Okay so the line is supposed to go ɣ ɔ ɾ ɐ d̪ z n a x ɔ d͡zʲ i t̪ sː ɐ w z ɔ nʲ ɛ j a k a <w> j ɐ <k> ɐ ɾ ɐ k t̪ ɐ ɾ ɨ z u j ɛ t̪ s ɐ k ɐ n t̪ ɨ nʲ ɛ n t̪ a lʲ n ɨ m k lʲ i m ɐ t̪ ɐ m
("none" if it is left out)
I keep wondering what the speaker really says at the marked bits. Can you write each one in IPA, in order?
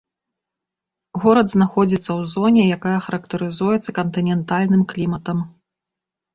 none, x

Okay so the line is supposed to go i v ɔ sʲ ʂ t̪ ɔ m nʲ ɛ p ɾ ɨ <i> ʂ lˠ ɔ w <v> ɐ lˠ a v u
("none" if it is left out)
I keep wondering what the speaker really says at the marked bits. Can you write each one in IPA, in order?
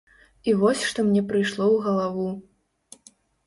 j, ɣ

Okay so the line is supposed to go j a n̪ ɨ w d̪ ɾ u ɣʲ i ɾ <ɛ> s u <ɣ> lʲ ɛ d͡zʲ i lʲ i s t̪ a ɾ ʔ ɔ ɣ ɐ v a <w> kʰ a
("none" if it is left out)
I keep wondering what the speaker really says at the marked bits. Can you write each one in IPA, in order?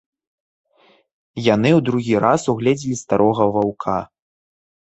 a, ɣ, w

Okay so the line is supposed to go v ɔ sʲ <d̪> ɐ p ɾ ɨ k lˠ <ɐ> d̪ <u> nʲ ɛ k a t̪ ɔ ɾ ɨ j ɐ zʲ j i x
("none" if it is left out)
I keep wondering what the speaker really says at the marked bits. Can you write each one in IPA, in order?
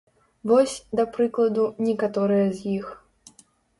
d̪, ɐ, u

